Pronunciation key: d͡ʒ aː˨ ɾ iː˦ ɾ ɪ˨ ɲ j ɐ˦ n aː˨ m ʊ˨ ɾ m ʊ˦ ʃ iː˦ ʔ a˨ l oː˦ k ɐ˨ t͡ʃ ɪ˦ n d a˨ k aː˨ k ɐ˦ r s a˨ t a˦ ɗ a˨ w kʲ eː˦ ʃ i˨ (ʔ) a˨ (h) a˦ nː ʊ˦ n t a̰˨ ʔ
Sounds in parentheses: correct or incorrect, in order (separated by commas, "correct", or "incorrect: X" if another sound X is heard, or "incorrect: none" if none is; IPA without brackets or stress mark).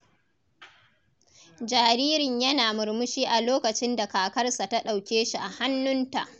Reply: correct, correct